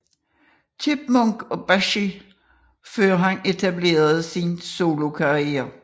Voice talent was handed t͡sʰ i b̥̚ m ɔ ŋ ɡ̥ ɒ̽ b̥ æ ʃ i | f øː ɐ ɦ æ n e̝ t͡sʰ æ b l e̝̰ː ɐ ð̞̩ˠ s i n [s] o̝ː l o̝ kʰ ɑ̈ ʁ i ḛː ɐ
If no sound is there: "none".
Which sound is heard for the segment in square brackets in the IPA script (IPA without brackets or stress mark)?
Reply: s